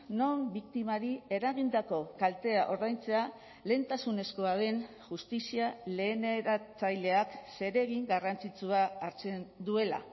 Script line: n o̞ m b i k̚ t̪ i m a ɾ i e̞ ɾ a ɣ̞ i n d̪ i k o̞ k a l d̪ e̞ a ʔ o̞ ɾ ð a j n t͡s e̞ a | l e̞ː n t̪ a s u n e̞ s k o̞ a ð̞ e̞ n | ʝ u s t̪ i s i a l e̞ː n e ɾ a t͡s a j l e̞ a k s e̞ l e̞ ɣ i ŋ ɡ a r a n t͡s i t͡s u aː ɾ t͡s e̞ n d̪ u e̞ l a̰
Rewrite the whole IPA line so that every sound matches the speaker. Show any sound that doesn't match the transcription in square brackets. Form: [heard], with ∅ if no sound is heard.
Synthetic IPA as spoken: n o̞ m b i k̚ t̪ i m a ɾ i e̞ ɾ a ɣ̞ i n d̪ [a] k o̞ k a l [t̪] e̞ a ʔ o̞ ɾ ð a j n t͡s e̞ a | l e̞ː n t̪ a s u n e̞ s k o̞ a ð̞ e̞ n | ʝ u s t̪ i s i a l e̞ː n e ɾ a t͡s a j l e̞ a k s e̞ [ɾ] e̞ ɣ i ŋ ɡ a r a n t͡s i t͡s u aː ɾ t͡s e̞ n d̪ u e̞ l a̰

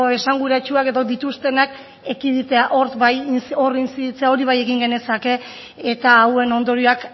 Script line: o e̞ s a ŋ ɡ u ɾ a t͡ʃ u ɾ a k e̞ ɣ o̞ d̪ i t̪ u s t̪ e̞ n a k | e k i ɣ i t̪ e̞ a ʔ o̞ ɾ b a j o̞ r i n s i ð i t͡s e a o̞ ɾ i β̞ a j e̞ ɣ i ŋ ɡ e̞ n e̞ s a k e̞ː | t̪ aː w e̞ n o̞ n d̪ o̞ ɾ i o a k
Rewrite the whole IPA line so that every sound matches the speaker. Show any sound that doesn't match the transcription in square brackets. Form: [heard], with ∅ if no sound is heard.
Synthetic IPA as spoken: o e̞ s a ŋ ɡ u ɾ a t͡ʃ u [∅] a k e̞ [ð] o̞ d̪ i t̪ u s t̪ e̞ n a k | e k i [ð] i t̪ e̞ a ʔ o̞ ɾ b a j o̞ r i n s i ð i t͡s e a o̞ ɾ i β̞ a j e̞ ɣ i ŋ ɡ e̞ n e̞ s a k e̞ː | t̪ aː w e̞ n o̞ n d̪ o̞ ɾ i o a k

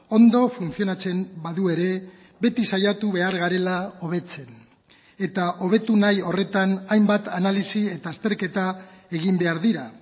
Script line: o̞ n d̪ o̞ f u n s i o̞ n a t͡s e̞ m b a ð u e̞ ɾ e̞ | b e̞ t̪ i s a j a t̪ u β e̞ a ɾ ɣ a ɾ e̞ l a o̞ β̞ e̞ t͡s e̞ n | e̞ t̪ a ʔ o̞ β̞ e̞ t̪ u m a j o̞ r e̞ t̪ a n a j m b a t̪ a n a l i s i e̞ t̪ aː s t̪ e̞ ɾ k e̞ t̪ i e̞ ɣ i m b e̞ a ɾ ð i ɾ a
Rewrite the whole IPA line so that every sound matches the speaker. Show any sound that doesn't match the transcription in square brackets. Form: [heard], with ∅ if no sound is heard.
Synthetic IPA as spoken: o̞ n d̪ o̞ f u n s i o̞ n a t͡s e̞ m b a ð u e̞ ɾ e̞ | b e̞ t̪ i s a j a t̪ u β e̞ a ɾ ɣ a ɾ e̞ l a o̞ β̞ e̞ t͡s e̞ n | e̞ t̪ a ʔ o̞ β̞ e̞ t̪ u [n] a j o̞ r e̞ t̪ a n a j m b a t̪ a n a l i s i e̞ t̪ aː s t̪ e̞ ɾ k e̞ t̪ [a] e̞ ɣ i m b e̞ a ɾ ð i ɾ a

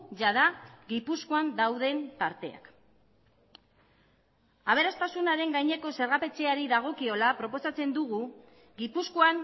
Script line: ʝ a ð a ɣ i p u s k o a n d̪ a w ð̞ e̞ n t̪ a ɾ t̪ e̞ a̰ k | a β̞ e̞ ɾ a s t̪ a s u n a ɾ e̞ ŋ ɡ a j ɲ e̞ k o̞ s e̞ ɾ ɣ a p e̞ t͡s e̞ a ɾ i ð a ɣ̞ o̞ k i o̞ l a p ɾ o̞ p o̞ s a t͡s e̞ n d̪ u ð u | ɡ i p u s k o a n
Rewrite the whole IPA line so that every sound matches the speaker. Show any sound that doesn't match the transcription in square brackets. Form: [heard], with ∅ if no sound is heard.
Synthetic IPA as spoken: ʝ a ð a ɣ i p u s k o a n d̪ a w ð̞ e̞ n t̪ a ɾ t̪ e̞ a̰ k | a β̞ e̞ ɾ a s t̪ a s u n a ɾ e̞ ŋ ɡ a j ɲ e̞ k o̞ s e̞ ɾ ɣ a p e̞ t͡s e̞ a ɾ i ð a ɣ̞ o̞ k i o̞ l a p ɾ o̞ p o̞ s a t͡s e̞ n d̪ u [ɣ] u | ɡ i p u s k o a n

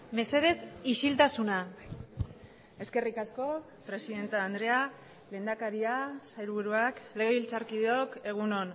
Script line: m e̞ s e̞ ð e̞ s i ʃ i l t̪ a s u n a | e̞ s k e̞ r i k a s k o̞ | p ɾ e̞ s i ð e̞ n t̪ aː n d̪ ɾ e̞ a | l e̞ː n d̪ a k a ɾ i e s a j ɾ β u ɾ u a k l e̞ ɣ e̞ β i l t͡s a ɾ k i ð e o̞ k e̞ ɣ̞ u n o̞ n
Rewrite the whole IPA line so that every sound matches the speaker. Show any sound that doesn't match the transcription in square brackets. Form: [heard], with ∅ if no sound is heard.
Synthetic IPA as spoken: m e̞ s e̞ ð e̞ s i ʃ i l t̪ a s u n a | e̞ s k e̞ r i k a s k o̞ | p ɾ e̞ s i ð e̞ n t̪ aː n d̪ ɾ e̞ a | l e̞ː n d̪ a k a ɾ i [a] s a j ɾ β u ɾ u a k l e̞ ɣ e̞ β i l t͡s a ɾ k i ð e o̞ k e̞ ɣ̞ u n o̞ n

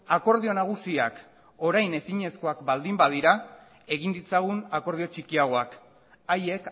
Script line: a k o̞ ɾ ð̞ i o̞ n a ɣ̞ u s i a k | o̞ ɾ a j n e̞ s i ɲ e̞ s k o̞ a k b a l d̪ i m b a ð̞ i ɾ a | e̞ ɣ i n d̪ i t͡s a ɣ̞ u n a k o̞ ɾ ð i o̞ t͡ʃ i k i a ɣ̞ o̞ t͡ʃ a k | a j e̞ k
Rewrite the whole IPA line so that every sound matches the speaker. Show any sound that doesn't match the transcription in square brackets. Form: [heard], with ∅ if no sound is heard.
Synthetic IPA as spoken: a k o̞ ɾ ð̞ i o̞ n a ɣ̞ u s i a k | o̞ ɾ a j n e̞ s i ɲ e̞ s k o̞ a k b a l d̪ i m b a ð̞ i ɾ a | e̞ ɣ i n d̪ i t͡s a ɣ̞ u n a k o̞ ɾ ð i o̞ t͡ʃ i k i a ɣ̞ o̞ [∅] a k | a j e̞ k

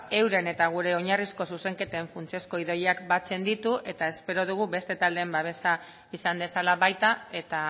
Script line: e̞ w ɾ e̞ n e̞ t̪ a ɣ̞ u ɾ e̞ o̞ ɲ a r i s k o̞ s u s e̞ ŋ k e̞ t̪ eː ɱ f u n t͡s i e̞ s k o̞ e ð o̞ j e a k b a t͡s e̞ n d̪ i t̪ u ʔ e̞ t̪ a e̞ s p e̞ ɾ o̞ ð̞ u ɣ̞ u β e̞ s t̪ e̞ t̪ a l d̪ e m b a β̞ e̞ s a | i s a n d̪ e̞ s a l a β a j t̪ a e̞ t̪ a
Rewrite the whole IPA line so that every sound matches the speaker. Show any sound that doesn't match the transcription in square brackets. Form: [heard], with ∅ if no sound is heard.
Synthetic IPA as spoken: e̞ w ɾ e̞ n e̞ t̪ a ɣ̞ u ɾ e̞ o̞ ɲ a r i s k o̞ s u s e̞ ŋ k e̞ t̪ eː ɱ f u n t͡s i e̞ s k o̞ [i] ð o̞ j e a k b a t͡s e̞ n d̪ i t̪ u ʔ e̞ t̪ a e̞ s p e̞ ɾ o̞ ð̞ u ɣ̞ u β e̞ s t̪ e̞ t̪ a l d̪ e m b a β̞ e̞ s a | i s a n d̪ e̞ s a l a β a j t̪ a e̞ t̪ a

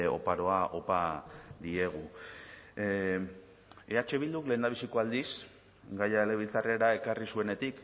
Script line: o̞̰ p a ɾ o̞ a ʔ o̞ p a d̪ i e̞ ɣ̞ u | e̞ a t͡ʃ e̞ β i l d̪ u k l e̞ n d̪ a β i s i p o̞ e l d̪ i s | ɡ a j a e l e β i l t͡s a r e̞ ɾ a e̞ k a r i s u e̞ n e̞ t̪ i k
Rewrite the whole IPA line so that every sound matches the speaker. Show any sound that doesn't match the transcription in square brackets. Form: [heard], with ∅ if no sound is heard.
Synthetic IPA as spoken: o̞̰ p a ɾ o̞ a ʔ o̞ p a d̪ i e̞ ɣ̞ u | e̞ a t͡ʃ e̞ β i l d̪ u k l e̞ n d̪ a β i s i [k] o̞ [a] l d̪ i s | ɡ a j a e l e β i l t͡s a r e̞ ɾ a e̞ k a r i s u e̞ n e̞ t̪ i k

